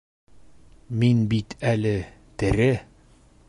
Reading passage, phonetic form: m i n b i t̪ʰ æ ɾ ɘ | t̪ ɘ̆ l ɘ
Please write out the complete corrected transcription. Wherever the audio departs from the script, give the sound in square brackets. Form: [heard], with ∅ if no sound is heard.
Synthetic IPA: m i n b i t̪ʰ æ [l] ɘ | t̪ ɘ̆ [ɾ] ɘ